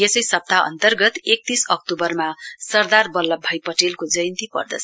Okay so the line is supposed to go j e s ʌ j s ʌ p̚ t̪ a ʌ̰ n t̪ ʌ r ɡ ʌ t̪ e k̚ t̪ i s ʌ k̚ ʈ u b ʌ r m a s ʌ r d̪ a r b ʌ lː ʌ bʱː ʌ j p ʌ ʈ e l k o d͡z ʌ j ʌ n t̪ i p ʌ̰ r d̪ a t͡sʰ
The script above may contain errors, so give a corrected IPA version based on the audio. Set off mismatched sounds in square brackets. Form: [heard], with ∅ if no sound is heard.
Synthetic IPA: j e s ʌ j s ʌ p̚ t̪ a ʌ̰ n t̪ ʌ r ɡ ʌ t̪ e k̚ t̪ i s ʌ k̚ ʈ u b ʌ r m a s ʌ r d̪ a r b ʌ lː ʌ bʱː ʌ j p ʌ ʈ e l k o d͡z ʌ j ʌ n t̪ i p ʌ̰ r d̪ [ʌ] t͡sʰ